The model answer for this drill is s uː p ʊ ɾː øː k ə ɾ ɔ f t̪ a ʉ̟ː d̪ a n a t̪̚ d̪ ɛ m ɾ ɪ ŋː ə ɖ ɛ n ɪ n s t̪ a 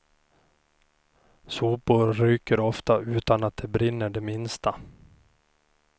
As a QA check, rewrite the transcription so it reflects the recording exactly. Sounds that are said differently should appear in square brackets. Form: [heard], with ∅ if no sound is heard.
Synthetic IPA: s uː p ʊ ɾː [yː] k ə ɾ ɔ f t̪ a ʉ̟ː [t̪] a n a t̪̚ d̪ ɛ [b] ɾ ɪ [nː] ə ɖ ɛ [m] ɪ n s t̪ a